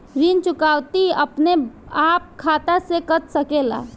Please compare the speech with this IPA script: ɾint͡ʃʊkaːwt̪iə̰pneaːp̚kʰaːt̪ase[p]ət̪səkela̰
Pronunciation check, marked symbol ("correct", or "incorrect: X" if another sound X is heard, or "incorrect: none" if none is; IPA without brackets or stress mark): incorrect: k